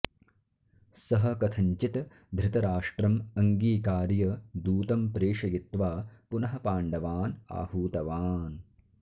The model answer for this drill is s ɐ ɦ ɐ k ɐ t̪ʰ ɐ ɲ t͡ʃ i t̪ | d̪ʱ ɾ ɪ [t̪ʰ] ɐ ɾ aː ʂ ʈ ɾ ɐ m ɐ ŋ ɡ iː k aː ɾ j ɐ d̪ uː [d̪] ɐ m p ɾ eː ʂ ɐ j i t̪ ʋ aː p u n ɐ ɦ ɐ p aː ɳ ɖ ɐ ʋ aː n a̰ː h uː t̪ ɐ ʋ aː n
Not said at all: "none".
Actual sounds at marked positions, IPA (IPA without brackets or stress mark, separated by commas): t̪, t̪